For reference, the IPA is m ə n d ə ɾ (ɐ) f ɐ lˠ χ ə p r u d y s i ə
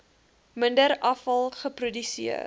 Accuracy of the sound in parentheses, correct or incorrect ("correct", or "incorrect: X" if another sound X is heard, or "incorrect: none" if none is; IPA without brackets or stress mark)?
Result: correct